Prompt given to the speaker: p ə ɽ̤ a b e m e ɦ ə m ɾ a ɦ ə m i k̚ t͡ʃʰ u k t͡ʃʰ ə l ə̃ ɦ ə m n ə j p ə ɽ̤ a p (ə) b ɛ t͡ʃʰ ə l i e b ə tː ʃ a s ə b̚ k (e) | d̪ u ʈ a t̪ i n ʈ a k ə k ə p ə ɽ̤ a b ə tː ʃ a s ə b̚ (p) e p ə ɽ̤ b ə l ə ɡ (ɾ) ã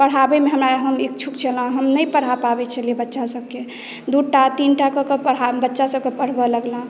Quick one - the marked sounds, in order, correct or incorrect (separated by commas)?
incorrect, correct, incorrect, incorrect